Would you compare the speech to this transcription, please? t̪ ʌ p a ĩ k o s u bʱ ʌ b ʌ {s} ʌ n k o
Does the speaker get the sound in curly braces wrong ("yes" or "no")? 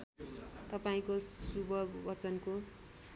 yes